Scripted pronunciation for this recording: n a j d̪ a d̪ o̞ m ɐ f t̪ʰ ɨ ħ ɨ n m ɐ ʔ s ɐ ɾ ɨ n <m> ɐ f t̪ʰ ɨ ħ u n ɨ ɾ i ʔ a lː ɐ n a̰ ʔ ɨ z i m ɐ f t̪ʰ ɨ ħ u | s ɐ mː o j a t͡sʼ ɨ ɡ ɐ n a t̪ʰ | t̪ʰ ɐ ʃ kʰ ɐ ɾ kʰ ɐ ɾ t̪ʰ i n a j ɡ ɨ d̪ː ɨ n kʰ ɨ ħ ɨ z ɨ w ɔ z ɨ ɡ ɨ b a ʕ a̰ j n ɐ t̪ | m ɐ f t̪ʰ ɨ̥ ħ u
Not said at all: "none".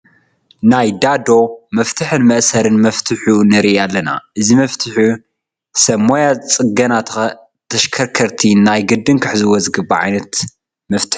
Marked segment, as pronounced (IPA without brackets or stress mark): m